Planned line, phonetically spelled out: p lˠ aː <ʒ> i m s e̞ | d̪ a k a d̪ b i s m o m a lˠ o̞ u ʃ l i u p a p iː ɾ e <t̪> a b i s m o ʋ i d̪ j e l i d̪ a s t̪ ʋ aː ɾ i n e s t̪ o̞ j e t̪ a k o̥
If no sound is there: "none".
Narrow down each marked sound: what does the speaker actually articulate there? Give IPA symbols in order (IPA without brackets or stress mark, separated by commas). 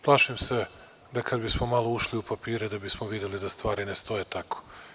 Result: ʃ, d̪